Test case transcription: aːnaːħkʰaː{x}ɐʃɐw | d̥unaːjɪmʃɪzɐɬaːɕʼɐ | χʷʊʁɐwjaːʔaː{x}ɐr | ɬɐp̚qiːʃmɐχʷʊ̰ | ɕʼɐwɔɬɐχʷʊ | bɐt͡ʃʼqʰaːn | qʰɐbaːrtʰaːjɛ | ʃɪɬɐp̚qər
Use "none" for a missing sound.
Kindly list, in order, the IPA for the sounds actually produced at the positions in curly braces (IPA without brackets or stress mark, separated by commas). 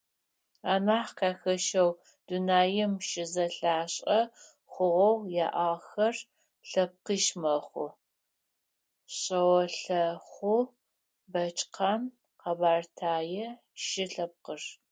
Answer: x, x